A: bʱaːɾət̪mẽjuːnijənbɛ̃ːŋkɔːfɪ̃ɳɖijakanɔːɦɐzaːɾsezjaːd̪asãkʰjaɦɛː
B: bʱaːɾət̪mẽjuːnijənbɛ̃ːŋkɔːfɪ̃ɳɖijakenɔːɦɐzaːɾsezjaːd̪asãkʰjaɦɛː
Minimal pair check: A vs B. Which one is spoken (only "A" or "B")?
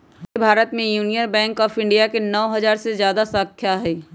B